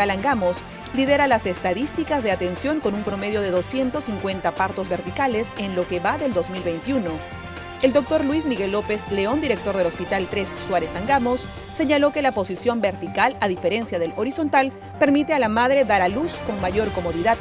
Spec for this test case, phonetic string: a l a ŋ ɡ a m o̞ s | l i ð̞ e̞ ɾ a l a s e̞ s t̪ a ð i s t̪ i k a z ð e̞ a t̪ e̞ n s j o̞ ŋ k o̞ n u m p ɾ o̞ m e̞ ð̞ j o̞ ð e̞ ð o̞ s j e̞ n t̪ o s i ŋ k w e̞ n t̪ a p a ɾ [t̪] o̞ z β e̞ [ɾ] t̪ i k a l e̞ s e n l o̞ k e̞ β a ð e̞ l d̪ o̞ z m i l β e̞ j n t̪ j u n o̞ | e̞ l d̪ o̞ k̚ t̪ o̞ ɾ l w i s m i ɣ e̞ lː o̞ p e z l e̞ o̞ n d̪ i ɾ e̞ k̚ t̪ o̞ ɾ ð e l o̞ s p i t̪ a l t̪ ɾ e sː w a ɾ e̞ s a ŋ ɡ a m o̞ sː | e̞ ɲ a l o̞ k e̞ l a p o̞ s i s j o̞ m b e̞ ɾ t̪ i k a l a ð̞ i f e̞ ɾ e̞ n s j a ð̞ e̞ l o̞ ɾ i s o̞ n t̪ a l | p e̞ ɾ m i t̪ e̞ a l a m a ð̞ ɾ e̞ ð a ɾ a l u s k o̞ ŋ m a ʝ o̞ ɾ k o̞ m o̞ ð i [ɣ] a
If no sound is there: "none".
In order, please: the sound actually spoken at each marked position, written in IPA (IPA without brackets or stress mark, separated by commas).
t̪, ɾ, ð